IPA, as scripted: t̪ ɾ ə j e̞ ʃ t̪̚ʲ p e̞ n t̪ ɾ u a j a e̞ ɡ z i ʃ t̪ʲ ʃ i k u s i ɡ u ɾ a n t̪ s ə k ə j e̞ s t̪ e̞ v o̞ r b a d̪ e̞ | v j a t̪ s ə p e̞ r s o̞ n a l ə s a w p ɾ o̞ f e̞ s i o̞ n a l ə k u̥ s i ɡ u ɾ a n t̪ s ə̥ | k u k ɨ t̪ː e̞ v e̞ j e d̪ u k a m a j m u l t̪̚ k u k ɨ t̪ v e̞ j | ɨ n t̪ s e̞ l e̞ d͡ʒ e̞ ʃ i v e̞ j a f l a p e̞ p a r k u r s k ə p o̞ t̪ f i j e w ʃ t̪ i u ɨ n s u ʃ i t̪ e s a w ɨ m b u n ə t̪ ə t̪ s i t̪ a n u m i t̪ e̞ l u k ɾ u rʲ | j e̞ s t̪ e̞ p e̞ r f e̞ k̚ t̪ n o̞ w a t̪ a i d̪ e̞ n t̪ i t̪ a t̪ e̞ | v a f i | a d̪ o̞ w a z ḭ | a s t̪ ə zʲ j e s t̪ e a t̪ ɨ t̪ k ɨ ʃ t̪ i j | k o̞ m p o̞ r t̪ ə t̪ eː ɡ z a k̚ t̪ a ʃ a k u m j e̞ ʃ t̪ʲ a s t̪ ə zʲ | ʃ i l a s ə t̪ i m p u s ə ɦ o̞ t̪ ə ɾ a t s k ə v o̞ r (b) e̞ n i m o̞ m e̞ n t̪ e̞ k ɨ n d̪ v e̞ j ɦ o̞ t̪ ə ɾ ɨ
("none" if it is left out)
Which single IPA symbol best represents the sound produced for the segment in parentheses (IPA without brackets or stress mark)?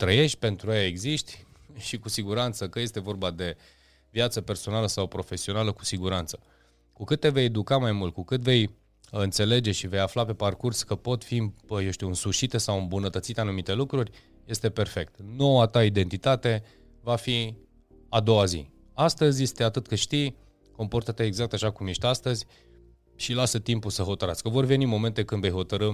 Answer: v